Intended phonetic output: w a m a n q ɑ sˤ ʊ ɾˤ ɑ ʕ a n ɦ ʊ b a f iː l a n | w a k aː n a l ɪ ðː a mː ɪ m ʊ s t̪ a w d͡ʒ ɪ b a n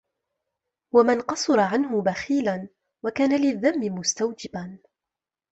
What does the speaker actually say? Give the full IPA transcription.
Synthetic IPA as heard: w a m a n q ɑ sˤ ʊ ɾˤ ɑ ʕ a n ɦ ʊ b a x iː l a n | w a k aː n a l ɪ ðː a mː ɪ m ʊ s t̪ a w d͡ʒ ɪ b a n